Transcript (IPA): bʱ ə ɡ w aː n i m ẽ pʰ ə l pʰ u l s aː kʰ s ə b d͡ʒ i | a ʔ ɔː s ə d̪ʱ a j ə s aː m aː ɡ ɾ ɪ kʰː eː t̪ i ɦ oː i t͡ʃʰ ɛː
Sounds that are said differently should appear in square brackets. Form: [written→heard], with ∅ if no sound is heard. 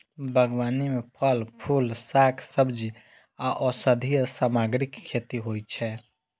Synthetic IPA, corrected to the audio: bʱ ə ɡ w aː n i m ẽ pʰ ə l pʰ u l s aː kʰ s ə b d͡ʒ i | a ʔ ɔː s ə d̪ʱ [a→i] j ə s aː m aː ɡ ɾ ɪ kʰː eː t̪ i ɦ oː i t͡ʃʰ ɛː